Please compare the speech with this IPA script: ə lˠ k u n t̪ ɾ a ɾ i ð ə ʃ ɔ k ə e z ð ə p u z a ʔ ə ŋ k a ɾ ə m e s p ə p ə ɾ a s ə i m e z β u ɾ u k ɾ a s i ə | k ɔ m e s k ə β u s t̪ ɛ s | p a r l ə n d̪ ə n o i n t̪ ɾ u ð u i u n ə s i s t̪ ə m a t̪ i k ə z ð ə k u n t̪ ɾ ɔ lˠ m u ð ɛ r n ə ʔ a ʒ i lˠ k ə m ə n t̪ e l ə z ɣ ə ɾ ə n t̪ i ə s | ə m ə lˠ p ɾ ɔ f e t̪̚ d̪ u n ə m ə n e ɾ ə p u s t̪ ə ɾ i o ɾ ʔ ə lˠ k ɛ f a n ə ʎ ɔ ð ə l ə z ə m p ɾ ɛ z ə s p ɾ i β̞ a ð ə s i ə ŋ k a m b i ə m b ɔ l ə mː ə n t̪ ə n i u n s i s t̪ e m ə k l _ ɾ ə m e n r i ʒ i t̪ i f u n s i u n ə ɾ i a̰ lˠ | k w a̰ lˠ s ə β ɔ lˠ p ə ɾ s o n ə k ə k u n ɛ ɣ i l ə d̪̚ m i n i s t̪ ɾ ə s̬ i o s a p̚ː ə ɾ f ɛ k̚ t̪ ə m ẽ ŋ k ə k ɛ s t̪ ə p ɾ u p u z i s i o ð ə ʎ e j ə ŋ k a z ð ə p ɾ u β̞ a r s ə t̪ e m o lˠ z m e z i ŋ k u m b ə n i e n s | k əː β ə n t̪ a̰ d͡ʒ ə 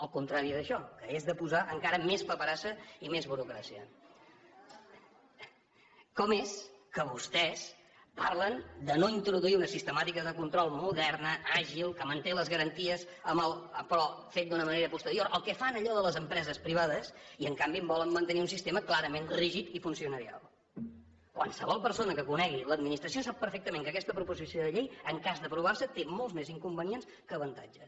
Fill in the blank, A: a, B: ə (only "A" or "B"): A